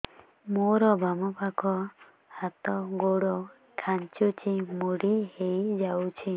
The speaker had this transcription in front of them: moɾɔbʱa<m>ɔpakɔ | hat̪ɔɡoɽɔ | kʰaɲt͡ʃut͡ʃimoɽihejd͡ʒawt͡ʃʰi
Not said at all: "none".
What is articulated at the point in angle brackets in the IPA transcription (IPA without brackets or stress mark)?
m